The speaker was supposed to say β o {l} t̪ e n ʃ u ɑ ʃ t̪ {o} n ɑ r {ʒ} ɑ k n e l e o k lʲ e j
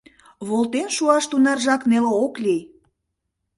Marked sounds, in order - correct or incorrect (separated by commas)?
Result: correct, incorrect, correct